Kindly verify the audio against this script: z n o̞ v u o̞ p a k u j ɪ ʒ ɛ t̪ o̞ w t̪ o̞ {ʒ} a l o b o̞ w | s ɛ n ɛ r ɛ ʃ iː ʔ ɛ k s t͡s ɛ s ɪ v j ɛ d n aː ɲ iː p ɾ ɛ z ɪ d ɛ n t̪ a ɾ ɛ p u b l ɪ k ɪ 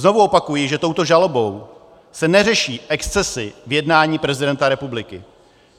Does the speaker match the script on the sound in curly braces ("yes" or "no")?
yes